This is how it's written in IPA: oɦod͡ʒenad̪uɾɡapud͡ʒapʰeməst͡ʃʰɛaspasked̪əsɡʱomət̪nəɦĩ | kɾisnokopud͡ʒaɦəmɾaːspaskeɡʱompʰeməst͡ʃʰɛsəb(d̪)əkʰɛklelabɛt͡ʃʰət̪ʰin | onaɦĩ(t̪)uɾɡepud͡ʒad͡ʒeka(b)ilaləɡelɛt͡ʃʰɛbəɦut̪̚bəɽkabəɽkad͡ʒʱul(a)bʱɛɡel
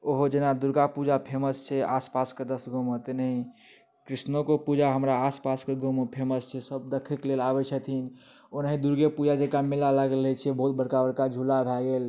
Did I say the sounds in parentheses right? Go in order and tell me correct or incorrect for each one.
correct, incorrect: d̪, incorrect: m, correct

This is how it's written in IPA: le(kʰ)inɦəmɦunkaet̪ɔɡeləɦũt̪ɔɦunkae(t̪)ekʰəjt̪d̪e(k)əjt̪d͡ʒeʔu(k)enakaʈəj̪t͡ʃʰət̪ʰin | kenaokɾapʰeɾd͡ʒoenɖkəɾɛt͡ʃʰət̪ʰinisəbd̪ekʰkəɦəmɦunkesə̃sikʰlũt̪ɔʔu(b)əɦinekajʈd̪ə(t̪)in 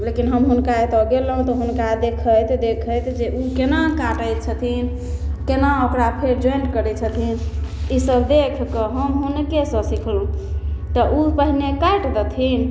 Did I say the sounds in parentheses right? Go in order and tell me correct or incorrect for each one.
incorrect: k, incorrect: d̪, incorrect: kʰ, correct, incorrect: p, incorrect: t̪ʰ

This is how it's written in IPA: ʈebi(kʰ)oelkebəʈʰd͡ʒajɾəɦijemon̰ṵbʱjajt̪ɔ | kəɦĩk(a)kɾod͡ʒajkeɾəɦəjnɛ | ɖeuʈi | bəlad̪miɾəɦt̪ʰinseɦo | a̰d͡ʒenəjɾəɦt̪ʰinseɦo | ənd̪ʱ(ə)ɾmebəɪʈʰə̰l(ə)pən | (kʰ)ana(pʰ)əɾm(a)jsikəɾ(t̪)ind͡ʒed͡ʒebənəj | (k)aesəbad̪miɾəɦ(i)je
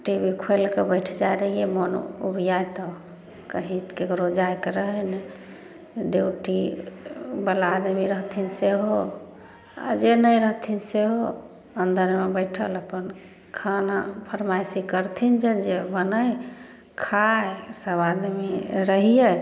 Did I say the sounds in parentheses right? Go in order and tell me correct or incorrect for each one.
correct, incorrect: e, correct, correct, correct, correct, correct, incorrect: t̪ʰ, incorrect: kʰ, correct

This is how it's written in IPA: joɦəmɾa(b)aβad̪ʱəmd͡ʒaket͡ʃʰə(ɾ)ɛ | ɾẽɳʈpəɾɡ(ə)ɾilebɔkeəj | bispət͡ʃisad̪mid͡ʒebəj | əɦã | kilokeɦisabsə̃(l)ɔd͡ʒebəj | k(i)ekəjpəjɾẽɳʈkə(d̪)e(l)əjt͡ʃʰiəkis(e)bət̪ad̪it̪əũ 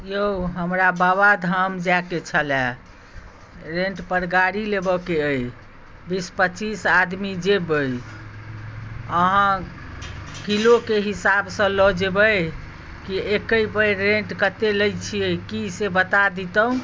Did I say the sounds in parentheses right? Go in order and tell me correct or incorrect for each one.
correct, incorrect: l, incorrect: a, correct, correct, incorrect: t̪, correct, correct

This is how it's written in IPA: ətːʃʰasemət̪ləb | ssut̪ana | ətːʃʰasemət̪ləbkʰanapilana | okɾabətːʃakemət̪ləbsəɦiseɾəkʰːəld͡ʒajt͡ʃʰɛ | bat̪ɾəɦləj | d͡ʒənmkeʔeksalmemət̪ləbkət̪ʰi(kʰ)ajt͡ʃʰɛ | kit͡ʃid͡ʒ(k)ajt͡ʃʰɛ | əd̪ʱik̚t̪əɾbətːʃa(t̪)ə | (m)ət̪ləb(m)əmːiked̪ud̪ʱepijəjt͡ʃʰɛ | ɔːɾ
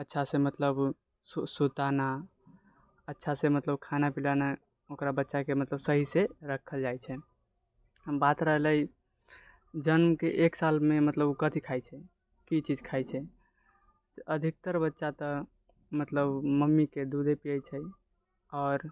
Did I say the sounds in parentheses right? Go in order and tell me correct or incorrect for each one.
correct, incorrect: kʰ, correct, correct, correct

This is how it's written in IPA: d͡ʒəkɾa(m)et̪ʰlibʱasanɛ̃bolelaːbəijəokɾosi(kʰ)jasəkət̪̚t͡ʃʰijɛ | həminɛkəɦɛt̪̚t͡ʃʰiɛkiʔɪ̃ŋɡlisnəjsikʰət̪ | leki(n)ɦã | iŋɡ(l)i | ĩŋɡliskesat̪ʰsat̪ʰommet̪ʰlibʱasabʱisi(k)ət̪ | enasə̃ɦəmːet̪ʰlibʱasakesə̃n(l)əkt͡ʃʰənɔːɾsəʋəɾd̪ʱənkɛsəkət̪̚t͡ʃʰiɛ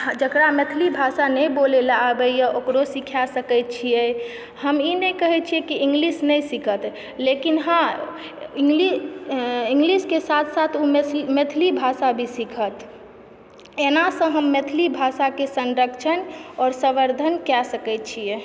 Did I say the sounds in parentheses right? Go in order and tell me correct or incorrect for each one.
correct, correct, correct, correct, incorrect: kʰ, incorrect: ɾ

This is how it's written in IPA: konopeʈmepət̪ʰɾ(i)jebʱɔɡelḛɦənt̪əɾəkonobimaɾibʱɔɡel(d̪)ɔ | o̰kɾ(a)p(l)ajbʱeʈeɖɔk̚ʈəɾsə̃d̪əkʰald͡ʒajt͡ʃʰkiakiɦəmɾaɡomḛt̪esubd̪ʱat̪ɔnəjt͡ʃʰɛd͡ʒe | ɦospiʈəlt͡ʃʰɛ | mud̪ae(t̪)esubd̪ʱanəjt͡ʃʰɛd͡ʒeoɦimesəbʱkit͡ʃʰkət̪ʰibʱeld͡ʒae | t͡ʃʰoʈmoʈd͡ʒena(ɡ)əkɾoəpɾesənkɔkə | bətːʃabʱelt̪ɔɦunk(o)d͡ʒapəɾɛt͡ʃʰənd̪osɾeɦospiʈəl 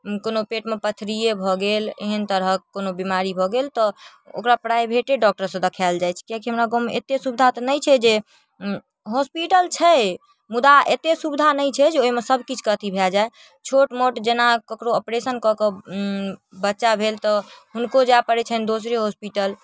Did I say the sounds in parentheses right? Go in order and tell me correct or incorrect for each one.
correct, incorrect: t̪, correct, incorrect: ɾ, correct, incorrect: k, correct

